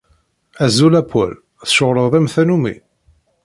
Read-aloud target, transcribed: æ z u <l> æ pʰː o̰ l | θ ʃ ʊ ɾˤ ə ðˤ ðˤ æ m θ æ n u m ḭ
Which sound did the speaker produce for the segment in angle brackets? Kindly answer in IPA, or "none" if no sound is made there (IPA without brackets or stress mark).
l